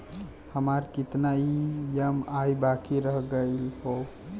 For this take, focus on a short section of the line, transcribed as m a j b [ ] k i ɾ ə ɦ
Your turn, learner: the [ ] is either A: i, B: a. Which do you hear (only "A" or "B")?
B